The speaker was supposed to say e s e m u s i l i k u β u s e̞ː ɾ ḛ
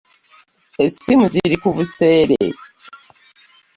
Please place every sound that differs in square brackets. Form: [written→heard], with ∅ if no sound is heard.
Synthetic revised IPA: e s [e→i] m u [s→z] i [l→ɾ] i k u β u s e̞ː ɾ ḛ

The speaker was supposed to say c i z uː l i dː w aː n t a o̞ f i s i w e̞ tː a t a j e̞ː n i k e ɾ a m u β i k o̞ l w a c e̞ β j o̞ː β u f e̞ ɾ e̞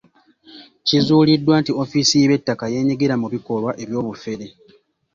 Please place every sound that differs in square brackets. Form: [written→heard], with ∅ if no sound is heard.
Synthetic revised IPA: c i z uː l i dː w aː n t [a→i] o̞ f i s i [w→β] e̞ tː a [t→k] a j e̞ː [n→ɲ] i [k→ɡ] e ɾ a m u β i k o̞ l w a [c→ʔ] e̞ β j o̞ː β u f e̞ ɾ e̞

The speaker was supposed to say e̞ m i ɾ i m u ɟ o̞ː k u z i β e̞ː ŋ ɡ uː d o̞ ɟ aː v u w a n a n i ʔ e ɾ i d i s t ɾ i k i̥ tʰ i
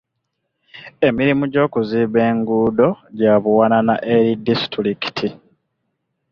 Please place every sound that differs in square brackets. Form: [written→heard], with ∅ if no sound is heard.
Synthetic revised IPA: e̞ m i ɾ i m u ɟ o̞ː k u z i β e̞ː ŋ ɡ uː d o̞ ɟ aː [v→β] u w a n a n [i→a] ʔ e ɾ i d i s t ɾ i k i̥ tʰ i

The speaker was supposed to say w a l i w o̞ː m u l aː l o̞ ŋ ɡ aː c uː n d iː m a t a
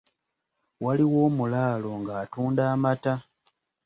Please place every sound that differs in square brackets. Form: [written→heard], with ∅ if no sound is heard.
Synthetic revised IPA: w a l i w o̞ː m u l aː l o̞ ŋ ɡ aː [c→t] uː n d [iː→aː] m a t a

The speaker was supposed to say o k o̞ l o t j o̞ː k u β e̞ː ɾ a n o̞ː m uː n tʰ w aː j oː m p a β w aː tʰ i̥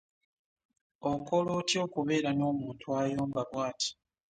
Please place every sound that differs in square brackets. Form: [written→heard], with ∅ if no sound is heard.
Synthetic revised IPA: o k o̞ l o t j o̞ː k u β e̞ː ɾ a n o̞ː m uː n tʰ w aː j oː m [p→b] a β w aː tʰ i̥

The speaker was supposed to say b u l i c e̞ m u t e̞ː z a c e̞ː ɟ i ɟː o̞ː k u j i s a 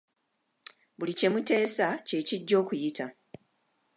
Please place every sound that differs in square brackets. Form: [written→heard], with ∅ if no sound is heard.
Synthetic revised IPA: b u l i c e̞ m u t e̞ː [z→s] a c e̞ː [ɟ→c] i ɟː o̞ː k u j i [s→t] a

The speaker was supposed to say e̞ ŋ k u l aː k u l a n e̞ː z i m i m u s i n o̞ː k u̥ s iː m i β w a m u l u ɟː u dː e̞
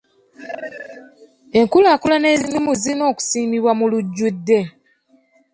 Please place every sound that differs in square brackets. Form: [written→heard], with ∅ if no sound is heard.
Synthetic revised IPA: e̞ ŋ k u l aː k u l a n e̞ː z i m i m u [s→z] i n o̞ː k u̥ s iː m i β w a m u l u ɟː u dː e̞

